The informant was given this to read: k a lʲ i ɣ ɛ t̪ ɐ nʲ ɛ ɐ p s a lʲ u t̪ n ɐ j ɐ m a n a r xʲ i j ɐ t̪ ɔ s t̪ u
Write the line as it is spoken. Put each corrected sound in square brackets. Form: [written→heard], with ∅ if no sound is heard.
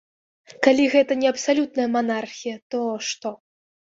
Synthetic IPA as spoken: k a lʲ i ɣ ɛ t̪ ɐ nʲ ɛ ɐ p s a lʲ u t̪ n ɐ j ɐ m a n a r xʲ i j ɐ t̪ ɔ [s→ʂ] t̪ [u→ɔ]

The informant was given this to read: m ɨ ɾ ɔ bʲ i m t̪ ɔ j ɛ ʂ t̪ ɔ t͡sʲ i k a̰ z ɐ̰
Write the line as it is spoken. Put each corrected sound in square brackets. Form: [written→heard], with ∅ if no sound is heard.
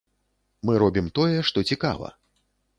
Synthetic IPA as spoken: m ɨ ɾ ɔ bʲ i m t̪ ɔ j ɛ ʂ t̪ ɔ t͡sʲ i k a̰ [z→v] ɐ̰

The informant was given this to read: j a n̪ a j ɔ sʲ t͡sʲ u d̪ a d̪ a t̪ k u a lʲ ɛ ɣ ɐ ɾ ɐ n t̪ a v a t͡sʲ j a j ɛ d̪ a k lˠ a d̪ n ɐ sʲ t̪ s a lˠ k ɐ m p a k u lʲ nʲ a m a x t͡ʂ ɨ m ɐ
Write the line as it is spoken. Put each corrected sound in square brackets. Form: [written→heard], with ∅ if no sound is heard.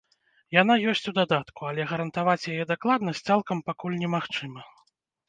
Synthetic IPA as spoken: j a n̪ a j ɔ sʲ t͡sʲ u d̪ a d̪ a t̪ k u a lʲ ɛ ɣ ɐ ɾ ɐ n t̪ a v a t͡sʲ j a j ɛ d̪ a k lˠ a d̪ n ɐ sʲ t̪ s a lˠ k ɐ m p a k u lʲ nʲ [a→ɛ] m a x t͡ʂ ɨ m ɐ

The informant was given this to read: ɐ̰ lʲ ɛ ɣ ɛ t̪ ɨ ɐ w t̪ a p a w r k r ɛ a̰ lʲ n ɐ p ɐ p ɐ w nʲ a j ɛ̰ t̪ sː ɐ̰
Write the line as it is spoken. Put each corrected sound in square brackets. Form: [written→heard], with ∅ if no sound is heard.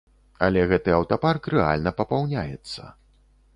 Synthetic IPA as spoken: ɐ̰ lʲ ɛ ɣ ɛ t̪ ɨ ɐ w t̪ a p a [w→∅] r k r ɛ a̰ lʲ n ɐ p ɐ p [ɐ→a] w nʲ a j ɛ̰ t̪ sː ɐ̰

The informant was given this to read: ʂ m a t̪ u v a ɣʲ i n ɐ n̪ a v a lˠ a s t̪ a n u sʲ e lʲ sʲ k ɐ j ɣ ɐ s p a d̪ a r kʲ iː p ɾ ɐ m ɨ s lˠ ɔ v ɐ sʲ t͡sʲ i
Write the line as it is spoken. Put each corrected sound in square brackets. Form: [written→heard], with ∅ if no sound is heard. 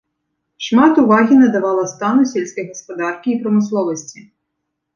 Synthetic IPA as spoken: ʂ m a t̪ u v a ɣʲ i n ɐ [n̪→d̪] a v a lˠ [a→ɐ] s t̪ a n u sʲ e lʲ sʲ k ɐ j ɣ ɐ s p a d̪ a r kʲ iː p ɾ ɐ m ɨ s lˠ ɔ v ɐ sʲ t͡sʲ i

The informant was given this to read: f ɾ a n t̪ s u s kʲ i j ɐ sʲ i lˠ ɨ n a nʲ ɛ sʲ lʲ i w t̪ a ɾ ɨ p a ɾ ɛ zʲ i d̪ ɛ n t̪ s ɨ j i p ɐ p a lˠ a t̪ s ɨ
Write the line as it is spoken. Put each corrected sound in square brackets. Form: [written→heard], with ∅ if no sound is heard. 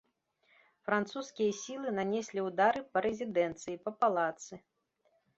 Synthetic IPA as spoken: f ɾ a n t̪ s u s kʲ i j ɐ sʲ i lˠ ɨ n a nʲ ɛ sʲ lʲ i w [t̪→d̪] a ɾ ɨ p [a→ɐ] ɾ ɛ zʲ i d̪ ɛ n t̪ s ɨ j i p ɐ p a lˠ a t̪ s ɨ

